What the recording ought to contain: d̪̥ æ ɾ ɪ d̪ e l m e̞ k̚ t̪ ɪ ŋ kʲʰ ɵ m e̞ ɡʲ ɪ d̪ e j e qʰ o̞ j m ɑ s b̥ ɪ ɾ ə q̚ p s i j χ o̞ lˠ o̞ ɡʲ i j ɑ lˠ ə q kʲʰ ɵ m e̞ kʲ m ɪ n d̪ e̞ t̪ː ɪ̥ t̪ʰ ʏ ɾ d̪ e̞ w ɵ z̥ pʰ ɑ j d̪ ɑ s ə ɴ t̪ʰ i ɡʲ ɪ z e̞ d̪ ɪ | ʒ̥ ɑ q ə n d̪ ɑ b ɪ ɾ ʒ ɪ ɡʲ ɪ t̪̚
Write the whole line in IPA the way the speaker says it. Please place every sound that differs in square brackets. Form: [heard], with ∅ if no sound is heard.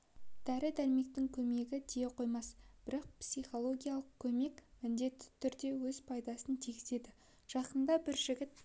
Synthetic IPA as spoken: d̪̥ æ ɾ ɪ d̪ [æ] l m e̞ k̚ t̪ ɪ ŋ kʲʰ ɵ m e̞ ɡʲ ɪ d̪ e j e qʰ o̞ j m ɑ s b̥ ɪ ɾ [ɑ] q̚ p s i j χ o̞ lˠ o̞ ɡʲ i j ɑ lˠ ə q kʲʰ ɵ m e̞ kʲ m ɪ n d̪ e̞ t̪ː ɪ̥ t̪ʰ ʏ ɾ d̪ e̞ w ɵ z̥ pʰ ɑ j d̪ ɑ s ə [n] t̪ʰ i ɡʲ ɪ z e̞ d̪ ɪ | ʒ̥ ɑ q ə n d̪ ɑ b ɪ ɾ ʒ ɪ ɡʲ ɪ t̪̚